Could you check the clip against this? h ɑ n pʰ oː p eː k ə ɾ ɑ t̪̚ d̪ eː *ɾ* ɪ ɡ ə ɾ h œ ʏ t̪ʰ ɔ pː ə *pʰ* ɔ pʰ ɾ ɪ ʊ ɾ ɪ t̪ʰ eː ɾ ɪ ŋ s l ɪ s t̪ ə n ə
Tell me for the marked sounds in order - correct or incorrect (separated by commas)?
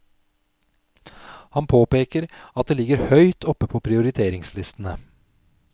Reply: incorrect, correct